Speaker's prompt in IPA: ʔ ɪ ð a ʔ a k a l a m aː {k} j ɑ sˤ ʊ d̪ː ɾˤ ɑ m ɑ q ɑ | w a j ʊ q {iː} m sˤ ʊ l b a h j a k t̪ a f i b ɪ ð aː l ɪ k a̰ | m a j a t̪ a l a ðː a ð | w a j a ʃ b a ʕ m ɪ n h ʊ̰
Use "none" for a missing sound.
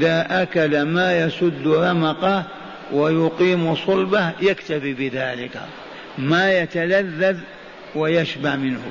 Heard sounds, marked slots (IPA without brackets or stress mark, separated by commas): none, iː